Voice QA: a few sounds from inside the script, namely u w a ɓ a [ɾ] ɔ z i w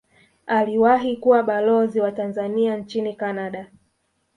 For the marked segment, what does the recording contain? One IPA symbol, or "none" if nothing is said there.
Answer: l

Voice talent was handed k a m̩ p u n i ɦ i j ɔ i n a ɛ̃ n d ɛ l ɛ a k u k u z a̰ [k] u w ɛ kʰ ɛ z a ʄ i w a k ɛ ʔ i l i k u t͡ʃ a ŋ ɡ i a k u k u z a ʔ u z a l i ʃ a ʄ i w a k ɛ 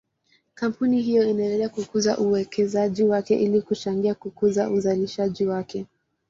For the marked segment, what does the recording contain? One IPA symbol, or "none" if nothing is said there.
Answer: ʔ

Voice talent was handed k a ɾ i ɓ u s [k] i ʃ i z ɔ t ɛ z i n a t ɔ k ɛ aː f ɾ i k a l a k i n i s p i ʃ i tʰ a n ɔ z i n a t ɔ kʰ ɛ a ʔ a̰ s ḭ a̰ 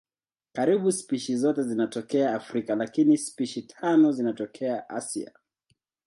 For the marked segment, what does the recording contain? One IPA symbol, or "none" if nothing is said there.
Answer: p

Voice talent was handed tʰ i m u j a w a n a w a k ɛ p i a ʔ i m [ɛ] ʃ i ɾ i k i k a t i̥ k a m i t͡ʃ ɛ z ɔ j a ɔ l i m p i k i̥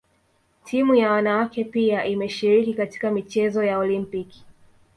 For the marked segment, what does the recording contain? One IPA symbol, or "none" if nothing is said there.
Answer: ɛ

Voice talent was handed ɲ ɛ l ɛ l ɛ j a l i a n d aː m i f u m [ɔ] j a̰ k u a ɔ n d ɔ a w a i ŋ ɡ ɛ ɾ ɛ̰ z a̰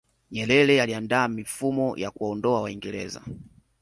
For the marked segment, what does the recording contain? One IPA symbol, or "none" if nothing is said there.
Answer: ɔ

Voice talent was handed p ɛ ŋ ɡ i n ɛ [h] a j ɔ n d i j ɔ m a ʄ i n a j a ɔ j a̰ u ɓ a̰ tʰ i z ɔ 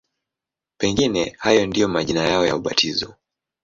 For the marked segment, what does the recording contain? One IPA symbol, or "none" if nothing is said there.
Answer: h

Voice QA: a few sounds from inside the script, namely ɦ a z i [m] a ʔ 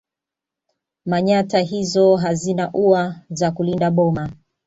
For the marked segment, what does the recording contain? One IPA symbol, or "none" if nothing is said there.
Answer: n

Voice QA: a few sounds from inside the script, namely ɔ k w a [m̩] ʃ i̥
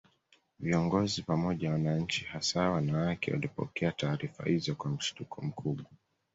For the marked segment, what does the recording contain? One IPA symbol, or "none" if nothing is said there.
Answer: m̩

